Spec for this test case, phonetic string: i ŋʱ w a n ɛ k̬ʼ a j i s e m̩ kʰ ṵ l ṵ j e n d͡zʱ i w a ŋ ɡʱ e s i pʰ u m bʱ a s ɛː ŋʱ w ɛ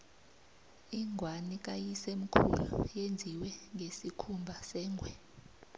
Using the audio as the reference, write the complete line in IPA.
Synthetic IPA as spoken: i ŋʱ w a n i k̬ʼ a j i s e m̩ kʰ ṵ l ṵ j e n d͡zʱ i w ɛ ŋ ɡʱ e s i kʰ u m bʱ a s ɛː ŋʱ w ɛ